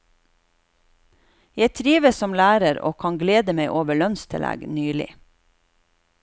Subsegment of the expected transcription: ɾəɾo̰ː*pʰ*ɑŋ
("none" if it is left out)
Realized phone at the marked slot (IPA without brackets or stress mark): kʰ